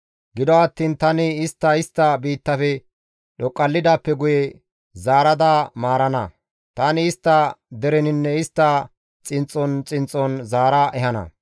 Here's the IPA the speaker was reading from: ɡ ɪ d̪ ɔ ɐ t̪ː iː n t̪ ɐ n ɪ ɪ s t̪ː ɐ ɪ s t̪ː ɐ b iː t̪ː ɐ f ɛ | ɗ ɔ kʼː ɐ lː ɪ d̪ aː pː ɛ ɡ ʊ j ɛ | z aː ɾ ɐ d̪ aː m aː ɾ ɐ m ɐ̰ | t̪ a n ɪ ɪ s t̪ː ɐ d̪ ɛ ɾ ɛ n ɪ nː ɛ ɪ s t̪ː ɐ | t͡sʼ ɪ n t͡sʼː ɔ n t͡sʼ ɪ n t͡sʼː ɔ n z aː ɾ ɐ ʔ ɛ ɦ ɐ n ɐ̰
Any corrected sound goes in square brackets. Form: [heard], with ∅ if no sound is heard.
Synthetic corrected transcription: ɡ ɪ d̪ ɔ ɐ t̪ː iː n t̪ ɐ n ɪ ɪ s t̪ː ɐ ɪ s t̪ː ɐ b iː t̪ː ɐ f ɛ | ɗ ɔ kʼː ɐ lː ɪ d̪ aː pː ɛ ɡ ʊ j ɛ | z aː ɾ ɐ d̪ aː m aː ɾ ɐ [n] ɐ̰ | t̪ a n ɪ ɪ s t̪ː ɐ d̪ ɛ ɾ ɛ n ɪ nː ɛ ɪ s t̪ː ɐ | t͡sʼ ɪ n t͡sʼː ɔ n t͡sʼ ɪ n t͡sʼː ɔ n z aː ɾ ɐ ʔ ɛ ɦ ɐ n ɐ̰